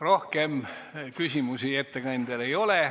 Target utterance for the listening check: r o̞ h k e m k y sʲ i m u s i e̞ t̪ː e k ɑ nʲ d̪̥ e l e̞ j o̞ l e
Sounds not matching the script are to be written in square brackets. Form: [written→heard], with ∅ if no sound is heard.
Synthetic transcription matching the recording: r o̞ h k e m k y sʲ i m u s i e̞ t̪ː e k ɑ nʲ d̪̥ e l e̞ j o̞ l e

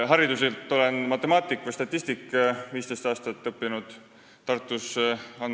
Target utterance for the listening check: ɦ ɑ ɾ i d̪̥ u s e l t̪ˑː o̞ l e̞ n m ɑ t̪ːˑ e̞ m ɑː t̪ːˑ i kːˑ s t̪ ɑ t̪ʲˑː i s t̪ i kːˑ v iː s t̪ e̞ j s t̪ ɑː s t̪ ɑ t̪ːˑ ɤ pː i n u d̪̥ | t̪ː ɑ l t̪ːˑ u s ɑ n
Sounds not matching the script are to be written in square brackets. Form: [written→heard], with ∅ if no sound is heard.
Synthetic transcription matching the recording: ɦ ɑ ɾ i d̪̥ u s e l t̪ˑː o̞ l e̞ n m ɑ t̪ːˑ e̞ m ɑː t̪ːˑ i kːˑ s t̪ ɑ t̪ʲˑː i s t̪ i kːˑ v iː s t̪ e̞ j s t̪ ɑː s t̪ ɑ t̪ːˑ ɤ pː i n u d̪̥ | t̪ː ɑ [l→r] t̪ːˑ u s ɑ n

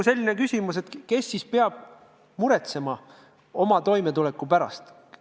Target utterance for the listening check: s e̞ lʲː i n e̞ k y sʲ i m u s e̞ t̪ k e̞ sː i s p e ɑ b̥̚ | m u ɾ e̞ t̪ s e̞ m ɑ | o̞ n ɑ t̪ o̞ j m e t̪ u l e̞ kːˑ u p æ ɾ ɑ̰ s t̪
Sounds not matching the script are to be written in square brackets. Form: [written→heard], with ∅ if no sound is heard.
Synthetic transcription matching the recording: s e̞ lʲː i n e̞ k y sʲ i m u s e̞ t̪ k e̞ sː i s p e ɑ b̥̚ | m u ɾ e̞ t̪ s e̞ m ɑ | o̞ [n→m] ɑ t̪ o̞ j m e t̪ u l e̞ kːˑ u p æ ɾ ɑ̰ s t̪

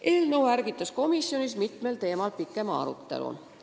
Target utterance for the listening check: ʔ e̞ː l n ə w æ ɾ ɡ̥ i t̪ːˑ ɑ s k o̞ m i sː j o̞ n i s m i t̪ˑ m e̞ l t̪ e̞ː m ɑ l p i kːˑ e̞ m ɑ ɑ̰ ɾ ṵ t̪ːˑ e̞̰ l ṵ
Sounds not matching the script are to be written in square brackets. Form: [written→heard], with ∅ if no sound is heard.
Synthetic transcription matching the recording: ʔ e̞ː l n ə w æ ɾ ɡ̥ i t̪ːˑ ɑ s k o̞ m i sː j o̞ n i s m i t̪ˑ m e̞ l t̪ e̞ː m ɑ l p i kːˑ e̞ m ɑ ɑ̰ ɾ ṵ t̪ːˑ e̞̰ l ṵ

